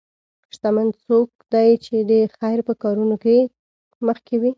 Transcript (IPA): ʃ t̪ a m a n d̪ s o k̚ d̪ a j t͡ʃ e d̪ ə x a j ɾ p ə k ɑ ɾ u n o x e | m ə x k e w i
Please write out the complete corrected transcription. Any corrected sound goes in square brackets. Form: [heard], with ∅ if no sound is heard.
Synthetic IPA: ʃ t̪ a m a n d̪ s o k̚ d̪ a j t͡ʃ e d̪ ə x a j ɾ p ə k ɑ ɾ u n o [k] e | m ə x k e w i